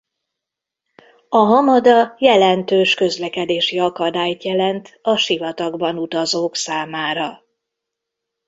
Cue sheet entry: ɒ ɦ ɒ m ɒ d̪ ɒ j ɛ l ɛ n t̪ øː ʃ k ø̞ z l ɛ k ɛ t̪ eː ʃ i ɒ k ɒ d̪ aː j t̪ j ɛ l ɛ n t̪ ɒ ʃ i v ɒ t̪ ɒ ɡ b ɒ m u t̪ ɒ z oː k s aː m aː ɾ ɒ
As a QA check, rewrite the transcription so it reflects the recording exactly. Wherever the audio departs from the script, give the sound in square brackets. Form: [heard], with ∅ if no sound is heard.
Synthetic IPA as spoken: ɒ ɦ ɒ m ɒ d̪ ɒ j ɛ l ɛ n t̪ øː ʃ k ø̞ z l ɛ k ɛ [d̪] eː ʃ i ɒ k ɒ d̪ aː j t̪ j ɛ l ɛ n t̪ ɒ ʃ i v ɒ t̪ ɒ ɡ b ɒ [n] u t̪ ɒ z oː k s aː m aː ɾ ɒ